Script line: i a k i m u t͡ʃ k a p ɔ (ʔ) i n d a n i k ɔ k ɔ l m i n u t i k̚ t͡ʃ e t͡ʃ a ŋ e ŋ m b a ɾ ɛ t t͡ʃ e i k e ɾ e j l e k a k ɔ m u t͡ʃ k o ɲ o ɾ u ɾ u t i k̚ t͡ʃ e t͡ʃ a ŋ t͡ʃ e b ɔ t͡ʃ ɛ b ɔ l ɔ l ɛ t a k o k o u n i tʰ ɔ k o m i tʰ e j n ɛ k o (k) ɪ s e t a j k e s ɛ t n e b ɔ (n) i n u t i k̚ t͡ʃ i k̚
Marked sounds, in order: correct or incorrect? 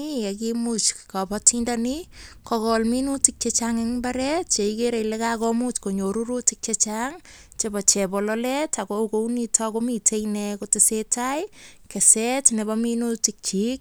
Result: incorrect, incorrect, incorrect

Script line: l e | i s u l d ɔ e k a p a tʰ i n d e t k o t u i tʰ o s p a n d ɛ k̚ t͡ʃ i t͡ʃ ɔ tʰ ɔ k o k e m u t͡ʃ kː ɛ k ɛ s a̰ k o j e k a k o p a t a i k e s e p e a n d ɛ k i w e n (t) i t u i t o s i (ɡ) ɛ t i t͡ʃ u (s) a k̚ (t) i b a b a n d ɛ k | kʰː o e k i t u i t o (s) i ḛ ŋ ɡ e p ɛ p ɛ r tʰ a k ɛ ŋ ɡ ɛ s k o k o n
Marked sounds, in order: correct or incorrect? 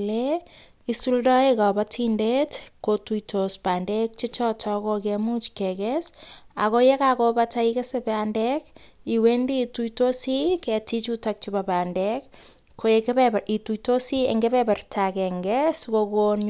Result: incorrect, incorrect, incorrect, incorrect, correct

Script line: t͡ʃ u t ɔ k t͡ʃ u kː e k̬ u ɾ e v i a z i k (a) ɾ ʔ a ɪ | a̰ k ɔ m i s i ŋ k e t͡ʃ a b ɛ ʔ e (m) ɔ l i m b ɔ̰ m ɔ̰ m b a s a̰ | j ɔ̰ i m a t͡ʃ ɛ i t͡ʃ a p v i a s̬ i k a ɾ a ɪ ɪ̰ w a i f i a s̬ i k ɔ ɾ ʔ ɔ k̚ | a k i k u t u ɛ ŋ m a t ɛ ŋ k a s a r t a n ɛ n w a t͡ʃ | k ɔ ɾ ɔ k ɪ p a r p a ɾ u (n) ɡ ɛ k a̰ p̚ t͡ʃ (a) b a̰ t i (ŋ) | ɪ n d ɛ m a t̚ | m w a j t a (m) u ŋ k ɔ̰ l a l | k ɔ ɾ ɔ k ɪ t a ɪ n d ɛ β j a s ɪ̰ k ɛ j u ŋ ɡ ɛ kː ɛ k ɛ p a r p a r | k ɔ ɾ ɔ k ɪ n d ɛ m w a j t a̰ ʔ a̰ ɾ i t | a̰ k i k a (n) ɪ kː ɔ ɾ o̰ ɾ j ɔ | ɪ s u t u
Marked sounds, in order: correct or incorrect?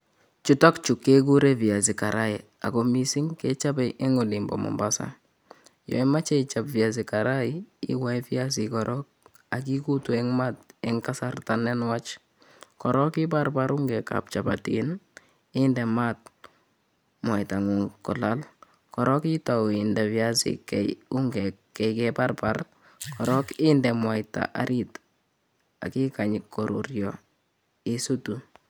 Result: correct, incorrect, incorrect, correct, incorrect, incorrect, incorrect

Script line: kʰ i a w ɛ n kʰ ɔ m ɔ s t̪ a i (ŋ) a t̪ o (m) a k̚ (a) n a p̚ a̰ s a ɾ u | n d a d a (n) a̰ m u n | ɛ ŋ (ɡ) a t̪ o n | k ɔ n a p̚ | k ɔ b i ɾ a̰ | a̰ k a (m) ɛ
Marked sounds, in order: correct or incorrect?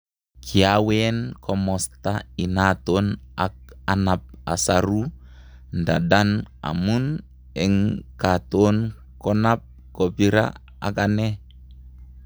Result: incorrect, incorrect, correct, correct, incorrect, incorrect

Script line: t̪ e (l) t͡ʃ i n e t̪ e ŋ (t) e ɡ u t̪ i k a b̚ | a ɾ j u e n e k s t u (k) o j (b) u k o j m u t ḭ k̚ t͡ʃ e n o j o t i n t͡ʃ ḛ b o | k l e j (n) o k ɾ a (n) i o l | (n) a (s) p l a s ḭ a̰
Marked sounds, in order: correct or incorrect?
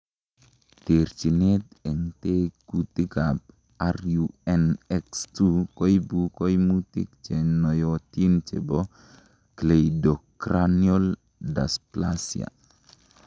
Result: incorrect, correct, correct, correct, incorrect, correct, incorrect, correct

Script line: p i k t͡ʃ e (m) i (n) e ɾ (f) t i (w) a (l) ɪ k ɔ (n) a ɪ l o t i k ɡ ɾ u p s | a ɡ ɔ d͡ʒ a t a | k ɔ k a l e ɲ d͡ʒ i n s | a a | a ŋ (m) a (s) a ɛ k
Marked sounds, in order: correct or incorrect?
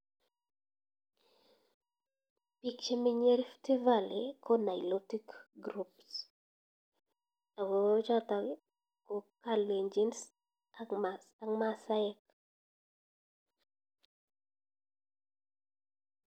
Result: correct, incorrect, correct, incorrect, correct, correct, correct, correct

